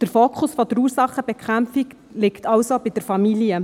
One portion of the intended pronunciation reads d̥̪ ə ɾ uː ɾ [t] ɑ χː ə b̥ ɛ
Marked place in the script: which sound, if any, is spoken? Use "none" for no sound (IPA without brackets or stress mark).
s